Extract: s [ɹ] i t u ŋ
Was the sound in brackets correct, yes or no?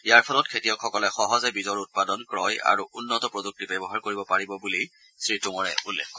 yes